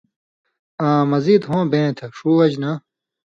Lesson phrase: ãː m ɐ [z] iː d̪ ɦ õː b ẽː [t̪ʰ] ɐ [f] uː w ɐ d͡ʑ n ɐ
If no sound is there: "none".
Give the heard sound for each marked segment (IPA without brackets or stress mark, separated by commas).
z, t̪ʰ, ʂ